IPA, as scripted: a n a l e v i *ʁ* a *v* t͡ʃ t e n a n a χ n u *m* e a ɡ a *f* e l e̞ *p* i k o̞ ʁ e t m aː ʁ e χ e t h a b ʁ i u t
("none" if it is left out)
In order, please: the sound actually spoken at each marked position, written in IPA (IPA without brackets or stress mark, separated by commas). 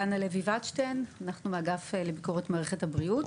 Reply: v, none, m, f, b